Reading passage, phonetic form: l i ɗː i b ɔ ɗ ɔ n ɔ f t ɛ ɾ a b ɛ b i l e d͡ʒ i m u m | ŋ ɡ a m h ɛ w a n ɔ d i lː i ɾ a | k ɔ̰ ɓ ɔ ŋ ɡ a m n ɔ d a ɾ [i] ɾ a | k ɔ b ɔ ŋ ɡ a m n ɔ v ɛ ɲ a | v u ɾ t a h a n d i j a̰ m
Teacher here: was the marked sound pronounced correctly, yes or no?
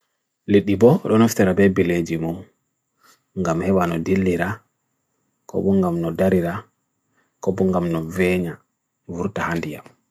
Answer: yes